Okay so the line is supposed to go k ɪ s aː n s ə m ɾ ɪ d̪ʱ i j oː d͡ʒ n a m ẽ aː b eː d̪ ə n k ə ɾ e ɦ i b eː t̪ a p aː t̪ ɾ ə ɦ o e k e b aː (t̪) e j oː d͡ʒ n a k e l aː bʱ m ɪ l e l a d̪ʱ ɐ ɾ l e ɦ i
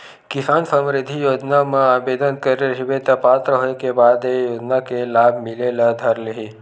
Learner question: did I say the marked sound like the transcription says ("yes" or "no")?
no